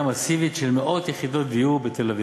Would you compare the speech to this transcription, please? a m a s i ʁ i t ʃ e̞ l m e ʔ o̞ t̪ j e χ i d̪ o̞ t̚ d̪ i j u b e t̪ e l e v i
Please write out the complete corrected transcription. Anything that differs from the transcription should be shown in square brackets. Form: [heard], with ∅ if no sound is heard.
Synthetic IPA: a m a s i [v] i t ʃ e̞ l m e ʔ o̞ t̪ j e χ i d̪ o̞ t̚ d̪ i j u b e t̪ e l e v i